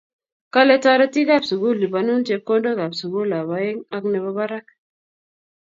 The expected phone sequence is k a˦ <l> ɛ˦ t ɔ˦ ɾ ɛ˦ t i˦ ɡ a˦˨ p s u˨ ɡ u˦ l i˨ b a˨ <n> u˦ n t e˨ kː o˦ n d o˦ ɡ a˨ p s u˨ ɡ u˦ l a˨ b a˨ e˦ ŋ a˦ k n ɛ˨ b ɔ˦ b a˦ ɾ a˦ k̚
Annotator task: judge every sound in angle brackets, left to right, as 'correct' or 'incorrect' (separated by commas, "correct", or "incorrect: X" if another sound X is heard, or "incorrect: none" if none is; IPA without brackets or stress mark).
correct, correct